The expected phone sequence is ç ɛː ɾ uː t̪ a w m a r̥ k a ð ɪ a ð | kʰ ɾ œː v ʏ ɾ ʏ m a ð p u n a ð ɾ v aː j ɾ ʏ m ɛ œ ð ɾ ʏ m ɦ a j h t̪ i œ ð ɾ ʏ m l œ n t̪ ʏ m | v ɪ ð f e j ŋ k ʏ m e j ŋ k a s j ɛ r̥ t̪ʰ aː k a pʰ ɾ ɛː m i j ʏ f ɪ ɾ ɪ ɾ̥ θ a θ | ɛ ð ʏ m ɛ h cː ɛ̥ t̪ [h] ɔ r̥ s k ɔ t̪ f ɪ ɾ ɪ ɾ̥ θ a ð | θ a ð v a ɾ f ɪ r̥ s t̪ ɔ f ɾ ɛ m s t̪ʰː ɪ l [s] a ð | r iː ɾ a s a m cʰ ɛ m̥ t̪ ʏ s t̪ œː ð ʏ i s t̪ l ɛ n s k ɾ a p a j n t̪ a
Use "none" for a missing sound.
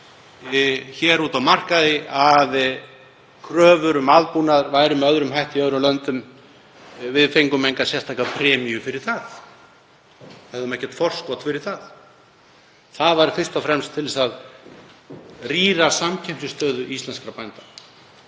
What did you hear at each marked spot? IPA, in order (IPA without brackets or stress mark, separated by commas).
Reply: f, s